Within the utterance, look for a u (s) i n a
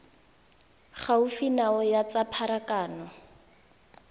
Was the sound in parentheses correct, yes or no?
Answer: no